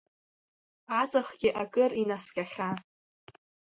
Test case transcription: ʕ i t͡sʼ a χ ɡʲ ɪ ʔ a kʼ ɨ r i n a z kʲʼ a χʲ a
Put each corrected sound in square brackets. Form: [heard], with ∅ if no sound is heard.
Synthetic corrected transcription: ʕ [a] t͡sʼ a χ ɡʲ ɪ ʔ a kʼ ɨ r i n a [s] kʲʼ a χʲ a